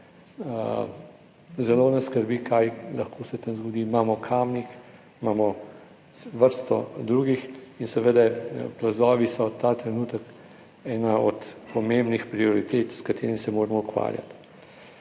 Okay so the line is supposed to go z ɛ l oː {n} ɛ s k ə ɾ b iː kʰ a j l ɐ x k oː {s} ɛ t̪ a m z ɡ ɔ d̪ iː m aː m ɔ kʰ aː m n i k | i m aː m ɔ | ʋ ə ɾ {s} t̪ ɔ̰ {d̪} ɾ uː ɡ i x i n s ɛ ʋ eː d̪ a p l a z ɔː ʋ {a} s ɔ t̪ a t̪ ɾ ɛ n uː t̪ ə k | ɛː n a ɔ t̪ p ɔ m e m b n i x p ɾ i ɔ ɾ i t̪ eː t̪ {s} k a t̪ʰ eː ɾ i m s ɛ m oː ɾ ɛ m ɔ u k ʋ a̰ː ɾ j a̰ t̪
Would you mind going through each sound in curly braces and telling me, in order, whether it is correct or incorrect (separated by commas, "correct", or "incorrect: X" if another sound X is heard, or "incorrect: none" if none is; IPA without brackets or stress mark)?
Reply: correct, correct, correct, correct, incorrect: i, correct